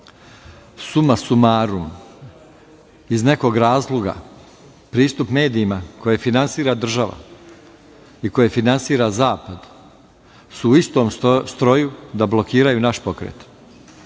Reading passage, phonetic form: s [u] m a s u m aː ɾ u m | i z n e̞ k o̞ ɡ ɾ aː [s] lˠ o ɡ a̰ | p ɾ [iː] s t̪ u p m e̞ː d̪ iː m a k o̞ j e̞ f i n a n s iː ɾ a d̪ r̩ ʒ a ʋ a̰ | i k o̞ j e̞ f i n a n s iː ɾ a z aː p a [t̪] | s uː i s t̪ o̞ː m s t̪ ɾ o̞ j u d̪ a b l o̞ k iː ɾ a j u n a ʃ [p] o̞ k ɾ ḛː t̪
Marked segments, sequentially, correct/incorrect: correct, incorrect: z, correct, incorrect: d̪, correct

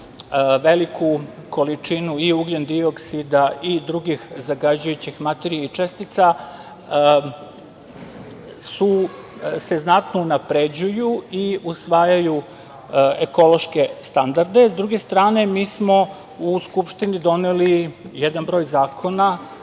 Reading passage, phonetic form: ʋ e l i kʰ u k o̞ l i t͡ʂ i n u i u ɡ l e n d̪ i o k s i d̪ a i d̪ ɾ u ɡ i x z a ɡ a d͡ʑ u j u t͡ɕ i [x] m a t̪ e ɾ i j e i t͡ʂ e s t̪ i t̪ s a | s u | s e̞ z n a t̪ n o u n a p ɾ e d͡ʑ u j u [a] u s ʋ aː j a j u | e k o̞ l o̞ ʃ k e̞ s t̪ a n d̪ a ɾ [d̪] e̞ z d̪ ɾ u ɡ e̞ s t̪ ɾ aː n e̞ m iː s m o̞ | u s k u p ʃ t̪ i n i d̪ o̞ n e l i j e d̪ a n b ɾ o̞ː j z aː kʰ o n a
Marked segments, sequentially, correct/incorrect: correct, incorrect: i, correct

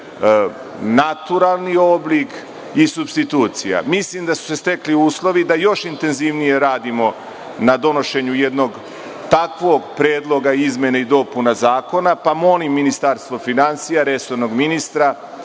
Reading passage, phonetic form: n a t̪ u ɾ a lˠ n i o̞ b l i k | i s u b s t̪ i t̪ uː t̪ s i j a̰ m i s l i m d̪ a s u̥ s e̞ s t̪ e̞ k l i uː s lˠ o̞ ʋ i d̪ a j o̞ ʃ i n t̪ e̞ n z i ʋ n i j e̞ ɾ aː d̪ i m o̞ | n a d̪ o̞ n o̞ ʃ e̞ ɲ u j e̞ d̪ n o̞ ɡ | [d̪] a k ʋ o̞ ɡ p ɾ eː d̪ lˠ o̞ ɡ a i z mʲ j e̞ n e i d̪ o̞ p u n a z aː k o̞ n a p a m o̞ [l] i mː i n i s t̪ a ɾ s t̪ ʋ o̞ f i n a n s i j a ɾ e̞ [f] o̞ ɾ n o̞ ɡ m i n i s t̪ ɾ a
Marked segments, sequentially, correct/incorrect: incorrect: t̪, correct, incorrect: s

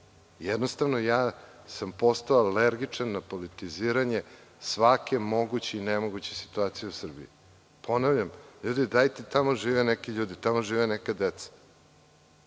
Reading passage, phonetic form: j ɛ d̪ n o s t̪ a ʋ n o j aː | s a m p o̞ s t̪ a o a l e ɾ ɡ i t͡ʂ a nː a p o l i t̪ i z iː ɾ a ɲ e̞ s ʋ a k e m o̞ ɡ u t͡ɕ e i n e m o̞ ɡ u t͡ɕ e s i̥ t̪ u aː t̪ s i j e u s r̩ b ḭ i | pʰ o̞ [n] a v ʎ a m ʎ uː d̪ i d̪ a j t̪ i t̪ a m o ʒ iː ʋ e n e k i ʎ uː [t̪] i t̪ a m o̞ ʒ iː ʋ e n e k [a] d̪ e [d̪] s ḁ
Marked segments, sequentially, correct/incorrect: correct, incorrect: d̪, correct, incorrect: t̪

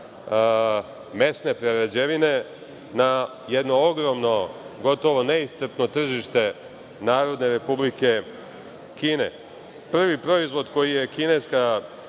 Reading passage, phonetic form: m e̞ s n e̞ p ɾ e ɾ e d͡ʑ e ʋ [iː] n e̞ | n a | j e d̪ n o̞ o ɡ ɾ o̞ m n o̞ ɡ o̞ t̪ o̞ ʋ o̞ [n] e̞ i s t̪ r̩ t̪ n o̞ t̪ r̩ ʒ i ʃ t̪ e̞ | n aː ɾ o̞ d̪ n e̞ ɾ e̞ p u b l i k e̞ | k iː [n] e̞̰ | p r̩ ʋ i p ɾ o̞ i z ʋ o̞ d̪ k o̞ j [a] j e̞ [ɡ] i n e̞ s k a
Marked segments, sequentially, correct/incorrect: incorrect: i, correct, correct, incorrect: i, incorrect: k

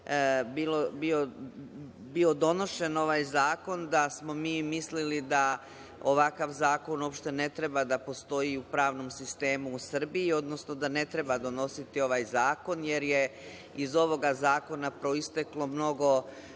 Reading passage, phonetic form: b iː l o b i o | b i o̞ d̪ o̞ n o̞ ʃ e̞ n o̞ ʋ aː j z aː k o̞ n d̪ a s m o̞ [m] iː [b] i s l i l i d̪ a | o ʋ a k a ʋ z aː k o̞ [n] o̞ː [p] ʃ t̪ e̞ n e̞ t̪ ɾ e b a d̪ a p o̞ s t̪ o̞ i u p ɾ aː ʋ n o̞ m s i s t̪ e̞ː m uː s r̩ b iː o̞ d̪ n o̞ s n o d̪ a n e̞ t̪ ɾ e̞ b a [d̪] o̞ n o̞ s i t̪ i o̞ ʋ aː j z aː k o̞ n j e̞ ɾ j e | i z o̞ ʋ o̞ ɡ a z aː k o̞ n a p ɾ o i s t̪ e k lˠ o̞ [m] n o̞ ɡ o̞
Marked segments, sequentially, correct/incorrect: correct, incorrect: m, correct, correct, correct, correct

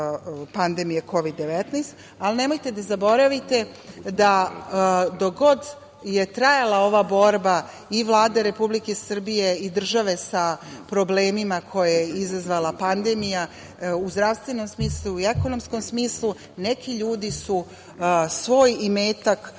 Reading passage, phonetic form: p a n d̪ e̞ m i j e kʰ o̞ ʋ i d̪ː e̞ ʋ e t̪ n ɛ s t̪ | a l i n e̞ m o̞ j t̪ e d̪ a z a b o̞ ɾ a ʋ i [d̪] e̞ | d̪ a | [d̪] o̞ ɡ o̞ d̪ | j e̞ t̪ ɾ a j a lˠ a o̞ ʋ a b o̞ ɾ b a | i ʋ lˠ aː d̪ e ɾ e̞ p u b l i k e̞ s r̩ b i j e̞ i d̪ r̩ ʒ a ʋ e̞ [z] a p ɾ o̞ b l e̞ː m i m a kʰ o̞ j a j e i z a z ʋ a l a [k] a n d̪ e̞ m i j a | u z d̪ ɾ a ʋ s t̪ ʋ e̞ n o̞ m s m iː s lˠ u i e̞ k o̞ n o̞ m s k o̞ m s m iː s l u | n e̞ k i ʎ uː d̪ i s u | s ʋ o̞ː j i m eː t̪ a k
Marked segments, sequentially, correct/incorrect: incorrect: t̪, correct, incorrect: s, incorrect: p

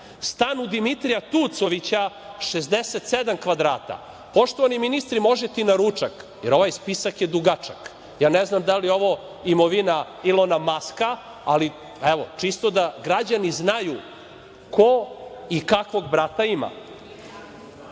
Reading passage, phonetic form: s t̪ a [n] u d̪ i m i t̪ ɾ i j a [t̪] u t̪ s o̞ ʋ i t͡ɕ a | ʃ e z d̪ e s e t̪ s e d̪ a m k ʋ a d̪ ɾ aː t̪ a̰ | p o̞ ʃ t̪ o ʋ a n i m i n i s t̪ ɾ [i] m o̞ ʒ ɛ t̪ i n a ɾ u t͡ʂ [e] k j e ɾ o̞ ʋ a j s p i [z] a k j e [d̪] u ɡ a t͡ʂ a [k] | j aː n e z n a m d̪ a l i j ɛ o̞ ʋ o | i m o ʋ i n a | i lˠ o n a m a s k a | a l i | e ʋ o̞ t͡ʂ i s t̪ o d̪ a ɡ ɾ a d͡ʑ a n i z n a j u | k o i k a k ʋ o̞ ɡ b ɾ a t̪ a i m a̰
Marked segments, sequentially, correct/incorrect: correct, correct, correct, incorrect: a, incorrect: s, correct, correct

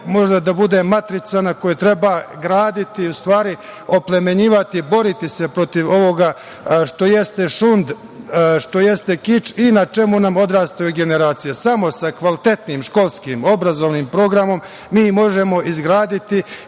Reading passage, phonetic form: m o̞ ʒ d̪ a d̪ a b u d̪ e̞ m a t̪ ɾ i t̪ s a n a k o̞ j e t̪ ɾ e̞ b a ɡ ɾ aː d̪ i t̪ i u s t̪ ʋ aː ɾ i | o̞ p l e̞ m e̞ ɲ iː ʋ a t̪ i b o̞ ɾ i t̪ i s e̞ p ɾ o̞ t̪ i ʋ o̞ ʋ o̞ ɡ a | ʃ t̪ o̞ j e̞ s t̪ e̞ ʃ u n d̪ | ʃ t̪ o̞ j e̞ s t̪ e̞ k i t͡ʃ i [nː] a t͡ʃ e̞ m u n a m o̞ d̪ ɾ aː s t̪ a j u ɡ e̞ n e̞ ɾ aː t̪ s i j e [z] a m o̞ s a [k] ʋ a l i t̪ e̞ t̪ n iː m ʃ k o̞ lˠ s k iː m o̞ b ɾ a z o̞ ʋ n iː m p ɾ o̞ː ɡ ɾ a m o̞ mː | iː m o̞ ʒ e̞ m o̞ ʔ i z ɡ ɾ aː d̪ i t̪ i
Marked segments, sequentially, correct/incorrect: incorrect: n, incorrect: s, correct

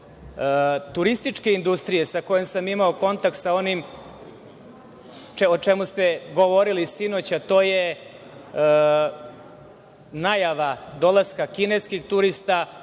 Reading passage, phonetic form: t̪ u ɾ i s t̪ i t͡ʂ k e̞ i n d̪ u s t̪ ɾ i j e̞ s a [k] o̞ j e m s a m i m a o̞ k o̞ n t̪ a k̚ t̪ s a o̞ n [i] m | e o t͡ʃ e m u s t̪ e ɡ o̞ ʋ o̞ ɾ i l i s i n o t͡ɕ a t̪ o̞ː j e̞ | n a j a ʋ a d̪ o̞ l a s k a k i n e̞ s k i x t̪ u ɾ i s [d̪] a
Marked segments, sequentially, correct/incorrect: correct, correct, incorrect: t̪

